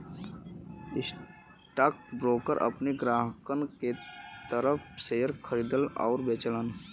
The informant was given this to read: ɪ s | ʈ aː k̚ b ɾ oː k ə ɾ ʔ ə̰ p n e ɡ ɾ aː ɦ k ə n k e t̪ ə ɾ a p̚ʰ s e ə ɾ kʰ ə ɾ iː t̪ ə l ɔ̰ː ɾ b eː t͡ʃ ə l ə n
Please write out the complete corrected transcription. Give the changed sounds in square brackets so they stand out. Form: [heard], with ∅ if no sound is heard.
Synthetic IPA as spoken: ɪ s | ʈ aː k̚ b ɾ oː k ə ɾ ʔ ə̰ p n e ɡ ɾ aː ɦ k ə n k e t̪ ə ɾ [ə] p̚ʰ s e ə ɾ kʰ ə ɾ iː [d̪] ə l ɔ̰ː ɾ b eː t͡ʃ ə l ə n